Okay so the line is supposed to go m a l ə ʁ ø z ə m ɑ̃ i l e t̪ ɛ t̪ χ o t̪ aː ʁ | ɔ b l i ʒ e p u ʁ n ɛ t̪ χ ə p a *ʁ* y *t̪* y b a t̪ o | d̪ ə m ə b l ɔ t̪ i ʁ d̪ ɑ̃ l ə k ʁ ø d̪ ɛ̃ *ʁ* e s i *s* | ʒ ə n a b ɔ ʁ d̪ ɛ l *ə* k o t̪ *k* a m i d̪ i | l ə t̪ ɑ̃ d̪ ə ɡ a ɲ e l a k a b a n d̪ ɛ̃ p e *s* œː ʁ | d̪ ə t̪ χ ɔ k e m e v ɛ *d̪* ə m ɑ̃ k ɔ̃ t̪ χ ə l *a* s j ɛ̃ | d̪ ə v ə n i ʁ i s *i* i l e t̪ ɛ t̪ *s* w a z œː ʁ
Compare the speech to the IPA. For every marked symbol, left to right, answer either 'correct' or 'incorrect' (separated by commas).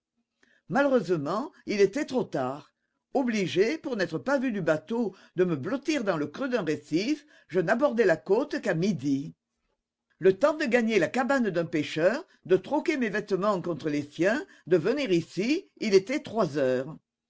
incorrect, incorrect, correct, incorrect, incorrect, correct, incorrect, incorrect, incorrect, correct, incorrect